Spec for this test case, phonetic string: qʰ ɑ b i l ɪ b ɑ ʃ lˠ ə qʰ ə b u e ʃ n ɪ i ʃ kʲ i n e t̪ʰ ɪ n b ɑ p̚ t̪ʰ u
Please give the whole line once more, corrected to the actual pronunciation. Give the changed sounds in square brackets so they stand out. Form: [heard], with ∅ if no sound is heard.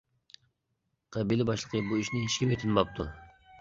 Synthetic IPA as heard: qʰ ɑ b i l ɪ b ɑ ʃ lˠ ə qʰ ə b u [i] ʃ n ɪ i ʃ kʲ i [m] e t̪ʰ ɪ n b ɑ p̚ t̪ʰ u